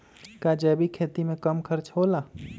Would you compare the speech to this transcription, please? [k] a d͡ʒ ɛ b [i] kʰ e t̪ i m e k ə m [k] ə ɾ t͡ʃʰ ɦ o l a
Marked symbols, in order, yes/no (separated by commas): yes, yes, no